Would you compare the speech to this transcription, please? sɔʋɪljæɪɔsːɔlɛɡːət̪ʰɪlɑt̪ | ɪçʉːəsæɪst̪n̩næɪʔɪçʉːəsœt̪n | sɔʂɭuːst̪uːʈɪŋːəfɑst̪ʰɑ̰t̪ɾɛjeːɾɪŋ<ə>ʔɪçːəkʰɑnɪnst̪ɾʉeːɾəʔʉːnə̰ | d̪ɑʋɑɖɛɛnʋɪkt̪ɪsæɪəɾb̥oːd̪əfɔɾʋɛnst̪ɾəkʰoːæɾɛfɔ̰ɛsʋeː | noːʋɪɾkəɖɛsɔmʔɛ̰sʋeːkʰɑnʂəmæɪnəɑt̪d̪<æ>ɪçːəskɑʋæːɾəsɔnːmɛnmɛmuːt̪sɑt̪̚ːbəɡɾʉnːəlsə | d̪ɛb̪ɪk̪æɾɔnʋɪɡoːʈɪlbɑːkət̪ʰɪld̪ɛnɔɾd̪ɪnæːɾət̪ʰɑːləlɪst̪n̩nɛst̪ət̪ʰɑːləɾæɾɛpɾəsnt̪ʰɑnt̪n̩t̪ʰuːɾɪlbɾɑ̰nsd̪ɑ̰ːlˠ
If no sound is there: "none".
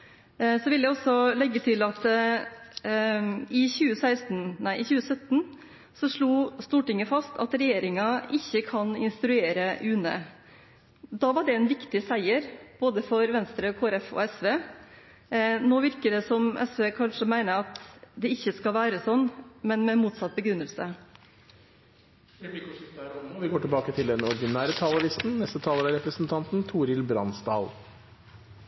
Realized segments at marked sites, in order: ɑ, ɛ

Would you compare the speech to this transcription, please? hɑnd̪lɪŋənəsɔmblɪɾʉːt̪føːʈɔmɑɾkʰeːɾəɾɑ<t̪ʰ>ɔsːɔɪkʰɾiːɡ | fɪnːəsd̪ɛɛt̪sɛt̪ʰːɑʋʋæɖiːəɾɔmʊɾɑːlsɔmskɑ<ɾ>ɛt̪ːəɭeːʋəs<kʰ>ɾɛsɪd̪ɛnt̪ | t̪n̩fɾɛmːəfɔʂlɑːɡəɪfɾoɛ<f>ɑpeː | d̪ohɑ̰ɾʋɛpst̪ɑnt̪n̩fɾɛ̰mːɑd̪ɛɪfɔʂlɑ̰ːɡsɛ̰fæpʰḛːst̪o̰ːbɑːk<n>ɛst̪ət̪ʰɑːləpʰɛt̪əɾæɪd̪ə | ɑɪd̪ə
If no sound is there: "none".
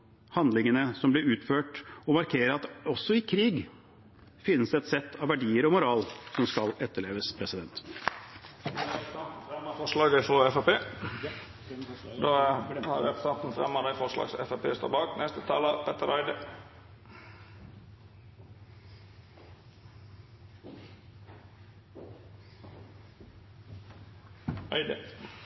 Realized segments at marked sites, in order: t̪, l, pʰ, f, n

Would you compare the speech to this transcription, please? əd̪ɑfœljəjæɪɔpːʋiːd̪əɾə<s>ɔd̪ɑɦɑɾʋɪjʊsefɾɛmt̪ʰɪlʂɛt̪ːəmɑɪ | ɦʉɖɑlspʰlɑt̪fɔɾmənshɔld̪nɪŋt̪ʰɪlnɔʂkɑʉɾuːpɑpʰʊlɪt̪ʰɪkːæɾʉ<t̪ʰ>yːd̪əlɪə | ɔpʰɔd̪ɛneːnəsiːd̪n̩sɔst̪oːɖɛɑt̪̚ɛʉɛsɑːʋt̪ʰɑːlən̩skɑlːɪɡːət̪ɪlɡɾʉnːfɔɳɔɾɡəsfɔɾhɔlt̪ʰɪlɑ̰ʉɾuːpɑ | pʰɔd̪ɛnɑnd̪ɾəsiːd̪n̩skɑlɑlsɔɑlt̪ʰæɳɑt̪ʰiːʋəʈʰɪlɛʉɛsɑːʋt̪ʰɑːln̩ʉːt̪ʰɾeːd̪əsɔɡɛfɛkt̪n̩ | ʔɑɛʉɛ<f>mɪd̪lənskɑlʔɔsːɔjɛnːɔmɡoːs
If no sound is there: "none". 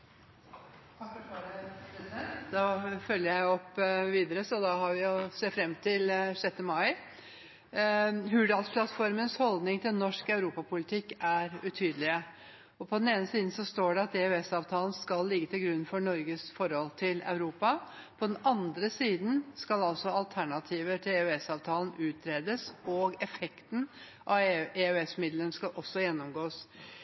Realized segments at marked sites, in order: s, t̪ʰ, s

